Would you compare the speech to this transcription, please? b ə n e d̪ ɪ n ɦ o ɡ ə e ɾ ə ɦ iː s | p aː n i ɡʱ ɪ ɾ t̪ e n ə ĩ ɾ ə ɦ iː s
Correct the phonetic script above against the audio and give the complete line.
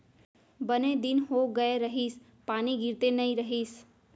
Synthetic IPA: b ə n e d̪ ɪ n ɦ o ɡ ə e ɾ ə ɦ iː s | p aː n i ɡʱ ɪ ɾ t̪ e n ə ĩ ɾ ə ɦ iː s